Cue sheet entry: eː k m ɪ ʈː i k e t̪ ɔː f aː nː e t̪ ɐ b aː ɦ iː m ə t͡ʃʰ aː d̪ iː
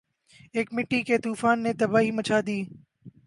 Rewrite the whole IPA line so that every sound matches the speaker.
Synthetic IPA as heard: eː k m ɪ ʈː i k e t̪ uː f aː nː e t̪ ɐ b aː ɦ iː m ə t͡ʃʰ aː d̪ iː